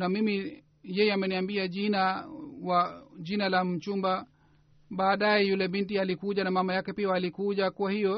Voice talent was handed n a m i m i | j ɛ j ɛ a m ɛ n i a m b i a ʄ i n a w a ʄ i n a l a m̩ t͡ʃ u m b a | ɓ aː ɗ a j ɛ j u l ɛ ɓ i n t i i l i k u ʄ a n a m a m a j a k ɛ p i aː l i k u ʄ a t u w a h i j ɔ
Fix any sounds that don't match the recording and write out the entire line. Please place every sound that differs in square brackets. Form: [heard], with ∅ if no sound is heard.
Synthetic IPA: n a m i m i | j ɛ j ɛ a m ɛ n i a m b i a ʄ i n a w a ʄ i n a l a m̩ t͡ʃ u m b a | ɓ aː ɗ a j ɛ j u l ɛ ɓ i n t i [a] l i k u ʄ a n a m a m a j a k ɛ p i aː l i k u ʄ a [k] u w a h i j ɔ